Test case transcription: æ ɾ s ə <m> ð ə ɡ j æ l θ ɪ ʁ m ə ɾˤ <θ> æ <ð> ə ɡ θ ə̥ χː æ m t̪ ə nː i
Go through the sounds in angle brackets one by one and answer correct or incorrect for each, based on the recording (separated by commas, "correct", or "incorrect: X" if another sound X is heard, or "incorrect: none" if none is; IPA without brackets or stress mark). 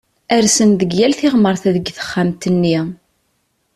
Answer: incorrect: n, correct, correct